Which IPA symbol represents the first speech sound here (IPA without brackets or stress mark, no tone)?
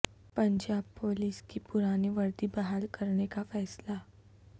p